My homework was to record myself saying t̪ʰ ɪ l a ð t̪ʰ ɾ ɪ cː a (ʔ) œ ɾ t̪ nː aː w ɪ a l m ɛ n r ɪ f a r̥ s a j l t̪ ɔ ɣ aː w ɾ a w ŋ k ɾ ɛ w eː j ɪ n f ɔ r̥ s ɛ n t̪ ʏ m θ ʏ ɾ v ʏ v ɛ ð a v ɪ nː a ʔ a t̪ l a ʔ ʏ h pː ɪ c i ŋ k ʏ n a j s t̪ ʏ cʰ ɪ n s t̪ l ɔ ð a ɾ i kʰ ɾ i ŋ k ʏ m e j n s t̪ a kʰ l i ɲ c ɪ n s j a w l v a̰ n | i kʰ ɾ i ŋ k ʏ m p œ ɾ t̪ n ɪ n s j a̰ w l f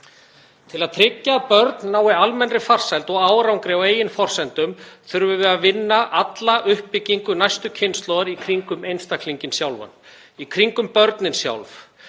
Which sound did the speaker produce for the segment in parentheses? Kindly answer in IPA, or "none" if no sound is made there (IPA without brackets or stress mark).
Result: p